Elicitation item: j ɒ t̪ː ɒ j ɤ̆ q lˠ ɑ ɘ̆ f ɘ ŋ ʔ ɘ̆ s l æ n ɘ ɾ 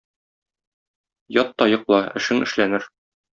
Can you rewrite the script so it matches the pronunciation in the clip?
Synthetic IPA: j ɒ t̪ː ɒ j ɤ̆ q lˠ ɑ ɘ̆ ʃ ɘ ŋ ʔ ɘ̆ ʃ l æ n ɘ ɾ

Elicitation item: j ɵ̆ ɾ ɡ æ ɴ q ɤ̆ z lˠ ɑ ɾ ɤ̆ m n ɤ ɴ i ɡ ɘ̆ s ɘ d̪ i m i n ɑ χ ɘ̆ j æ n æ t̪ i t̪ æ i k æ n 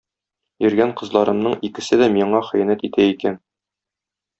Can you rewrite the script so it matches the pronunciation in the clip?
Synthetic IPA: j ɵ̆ ɾ ɡ æ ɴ q ɤ̆ z lˠ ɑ ɾ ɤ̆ m n ɤ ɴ i k ɘ̆ s ɘ d̪ æ m i ɴ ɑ χ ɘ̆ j æ n æ t̪ i t̪ æ i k æ n

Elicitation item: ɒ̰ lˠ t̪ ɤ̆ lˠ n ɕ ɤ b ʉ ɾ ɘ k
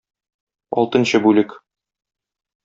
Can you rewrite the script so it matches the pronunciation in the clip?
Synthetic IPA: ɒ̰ lˠ t̪ ɤ̆ n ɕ ɤ b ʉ l ɘ k

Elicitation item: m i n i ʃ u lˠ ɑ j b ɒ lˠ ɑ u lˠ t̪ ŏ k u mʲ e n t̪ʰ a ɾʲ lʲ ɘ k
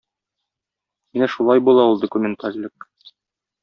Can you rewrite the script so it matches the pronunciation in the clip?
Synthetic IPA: m i n æ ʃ u lˠ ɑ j b u lˠ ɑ u lˠ d̪ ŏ k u mʲ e n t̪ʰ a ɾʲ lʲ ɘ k

